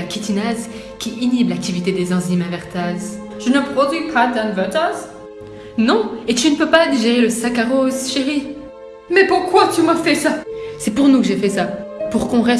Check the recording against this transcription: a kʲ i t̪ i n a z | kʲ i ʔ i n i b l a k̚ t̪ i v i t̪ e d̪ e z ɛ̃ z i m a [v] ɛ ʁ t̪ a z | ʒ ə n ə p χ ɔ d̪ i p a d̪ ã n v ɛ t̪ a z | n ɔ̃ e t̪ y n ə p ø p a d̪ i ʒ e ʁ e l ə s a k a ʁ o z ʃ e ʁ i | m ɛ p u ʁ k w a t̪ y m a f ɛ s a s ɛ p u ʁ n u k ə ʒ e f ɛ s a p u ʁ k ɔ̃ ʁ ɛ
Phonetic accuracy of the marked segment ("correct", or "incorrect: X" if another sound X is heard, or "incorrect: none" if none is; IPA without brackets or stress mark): correct